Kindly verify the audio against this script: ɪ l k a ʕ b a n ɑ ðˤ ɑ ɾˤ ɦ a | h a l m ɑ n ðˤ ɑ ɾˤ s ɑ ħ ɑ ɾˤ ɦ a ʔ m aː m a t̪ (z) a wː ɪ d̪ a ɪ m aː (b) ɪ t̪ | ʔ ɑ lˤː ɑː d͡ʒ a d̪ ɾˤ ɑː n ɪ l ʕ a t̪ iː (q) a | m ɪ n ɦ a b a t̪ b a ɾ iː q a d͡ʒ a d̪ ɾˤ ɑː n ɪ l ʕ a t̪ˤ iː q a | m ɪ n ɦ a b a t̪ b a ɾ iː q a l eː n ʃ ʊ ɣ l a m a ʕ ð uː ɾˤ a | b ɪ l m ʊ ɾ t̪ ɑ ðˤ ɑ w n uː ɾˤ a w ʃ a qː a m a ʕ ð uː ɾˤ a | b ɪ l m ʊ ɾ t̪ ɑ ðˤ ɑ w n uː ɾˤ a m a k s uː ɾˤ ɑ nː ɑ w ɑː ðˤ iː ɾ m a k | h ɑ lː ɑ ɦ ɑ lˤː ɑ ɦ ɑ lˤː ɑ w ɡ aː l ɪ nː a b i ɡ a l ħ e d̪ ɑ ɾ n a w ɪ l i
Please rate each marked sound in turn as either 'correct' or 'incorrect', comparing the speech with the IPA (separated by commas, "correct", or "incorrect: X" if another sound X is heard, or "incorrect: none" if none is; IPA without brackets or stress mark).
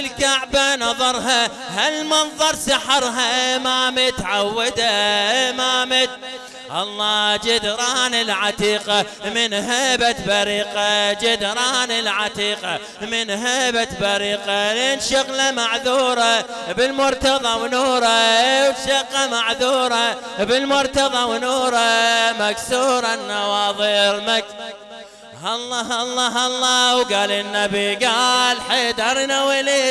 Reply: incorrect: ʕ, incorrect: m, correct